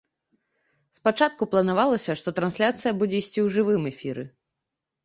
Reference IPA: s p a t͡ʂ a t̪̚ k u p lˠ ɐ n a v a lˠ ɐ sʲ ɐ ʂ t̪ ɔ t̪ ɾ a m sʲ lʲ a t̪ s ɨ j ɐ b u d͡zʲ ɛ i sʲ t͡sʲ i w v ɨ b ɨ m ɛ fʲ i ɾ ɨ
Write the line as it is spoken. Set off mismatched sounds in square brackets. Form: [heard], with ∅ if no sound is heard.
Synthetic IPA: s p a t͡ʂ a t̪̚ k u p lˠ ɐ n a v a lˠ ɐ sʲ ɐ ʂ t̪ ɔ t̪ ɾ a [n] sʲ lʲ a t̪ s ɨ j ɐ b u d͡zʲ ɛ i sʲ t͡sʲ i w [ʐ] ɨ [v] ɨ m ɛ fʲ i ɾ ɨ